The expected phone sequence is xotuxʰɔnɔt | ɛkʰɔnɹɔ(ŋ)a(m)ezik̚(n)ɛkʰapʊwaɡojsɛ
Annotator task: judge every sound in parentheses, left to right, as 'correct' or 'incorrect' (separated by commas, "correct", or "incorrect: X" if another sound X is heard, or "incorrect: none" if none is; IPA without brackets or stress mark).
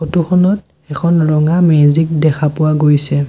correct, correct, incorrect: d